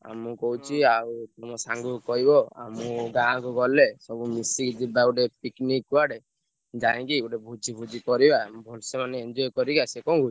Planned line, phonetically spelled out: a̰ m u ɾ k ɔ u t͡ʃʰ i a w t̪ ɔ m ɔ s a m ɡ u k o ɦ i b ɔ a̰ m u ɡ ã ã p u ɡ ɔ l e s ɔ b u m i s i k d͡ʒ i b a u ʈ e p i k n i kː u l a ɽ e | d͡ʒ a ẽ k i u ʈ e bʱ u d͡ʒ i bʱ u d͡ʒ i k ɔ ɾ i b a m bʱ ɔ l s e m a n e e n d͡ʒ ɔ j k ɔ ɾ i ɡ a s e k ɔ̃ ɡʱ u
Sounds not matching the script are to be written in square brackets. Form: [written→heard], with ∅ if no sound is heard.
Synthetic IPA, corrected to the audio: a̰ m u [ɾ→∅] k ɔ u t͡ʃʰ i a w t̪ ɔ m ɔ s a [m→ŋ] ɡ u k [o→ɔ] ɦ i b ɔ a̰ m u ɡ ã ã [p→k] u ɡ ɔ l e s ɔ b u m i s i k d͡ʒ i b a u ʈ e p i k n i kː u [l→∅] a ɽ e | d͡ʒ a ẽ k i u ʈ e bʱ u d͡ʒ i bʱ u d͡ʒ i k ɔ ɾ i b a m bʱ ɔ l s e m a n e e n d͡ʒ ɔ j k ɔ ɾ i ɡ a s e k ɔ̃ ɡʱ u